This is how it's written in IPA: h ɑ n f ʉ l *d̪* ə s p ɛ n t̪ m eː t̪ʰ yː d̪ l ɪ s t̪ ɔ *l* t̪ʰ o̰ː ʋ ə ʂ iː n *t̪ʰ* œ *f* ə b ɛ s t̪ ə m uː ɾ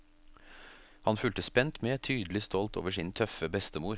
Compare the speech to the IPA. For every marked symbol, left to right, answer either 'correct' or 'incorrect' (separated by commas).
incorrect, correct, correct, correct